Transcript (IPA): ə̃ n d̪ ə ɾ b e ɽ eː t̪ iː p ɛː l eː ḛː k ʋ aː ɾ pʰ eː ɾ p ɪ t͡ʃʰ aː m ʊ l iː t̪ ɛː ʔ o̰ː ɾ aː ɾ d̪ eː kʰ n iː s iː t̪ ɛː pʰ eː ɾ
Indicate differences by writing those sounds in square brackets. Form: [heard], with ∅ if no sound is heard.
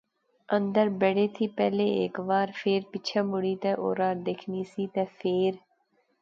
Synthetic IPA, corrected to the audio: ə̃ n d̪ ə ɾ b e ɽ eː [t̪ʰ] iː p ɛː l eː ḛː k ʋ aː ɾ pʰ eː ɾ p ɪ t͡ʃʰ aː m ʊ [ɽ] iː t̪ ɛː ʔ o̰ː ɾ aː ɾ d̪ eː kʰ n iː s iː t̪ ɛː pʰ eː ɾ